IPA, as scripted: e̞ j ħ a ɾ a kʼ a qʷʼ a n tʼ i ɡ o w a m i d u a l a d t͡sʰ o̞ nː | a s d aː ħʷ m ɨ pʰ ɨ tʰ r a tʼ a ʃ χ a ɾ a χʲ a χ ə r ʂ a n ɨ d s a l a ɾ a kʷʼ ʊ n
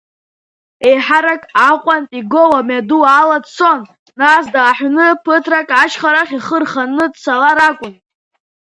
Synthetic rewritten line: e̞ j ħ a ɾ a kʼ a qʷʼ a n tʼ i ɡ o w a m a d u a l a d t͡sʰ o̞ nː | a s d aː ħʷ n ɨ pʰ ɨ tʰ r a kʼ a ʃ χ a ɾ a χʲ i χ ə r χ a n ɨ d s a l a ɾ a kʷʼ ʊ n